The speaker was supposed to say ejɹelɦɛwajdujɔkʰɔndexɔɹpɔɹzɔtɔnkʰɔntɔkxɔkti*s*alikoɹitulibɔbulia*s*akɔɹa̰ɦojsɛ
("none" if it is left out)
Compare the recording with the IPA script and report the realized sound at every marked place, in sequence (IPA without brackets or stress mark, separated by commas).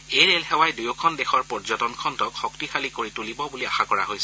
x, x